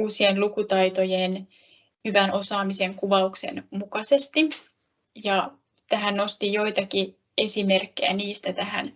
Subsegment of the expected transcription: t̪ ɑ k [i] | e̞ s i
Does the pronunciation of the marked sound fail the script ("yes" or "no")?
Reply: no